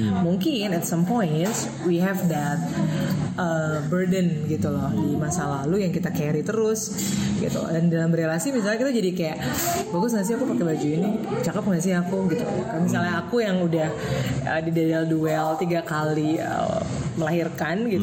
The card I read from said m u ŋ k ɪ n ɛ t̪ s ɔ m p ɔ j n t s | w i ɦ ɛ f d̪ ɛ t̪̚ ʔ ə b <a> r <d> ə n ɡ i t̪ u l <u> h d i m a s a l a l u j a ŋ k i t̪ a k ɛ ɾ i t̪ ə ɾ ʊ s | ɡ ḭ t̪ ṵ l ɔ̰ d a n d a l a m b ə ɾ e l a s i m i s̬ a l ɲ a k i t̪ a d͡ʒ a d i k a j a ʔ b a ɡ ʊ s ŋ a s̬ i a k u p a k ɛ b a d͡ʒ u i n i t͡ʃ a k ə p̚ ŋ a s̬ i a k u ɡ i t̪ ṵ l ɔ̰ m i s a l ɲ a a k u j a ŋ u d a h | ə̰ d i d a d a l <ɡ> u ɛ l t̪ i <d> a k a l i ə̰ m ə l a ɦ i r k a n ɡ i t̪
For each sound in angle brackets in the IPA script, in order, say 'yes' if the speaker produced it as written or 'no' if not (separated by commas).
no, yes, no, no, no